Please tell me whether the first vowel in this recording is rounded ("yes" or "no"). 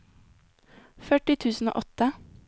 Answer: yes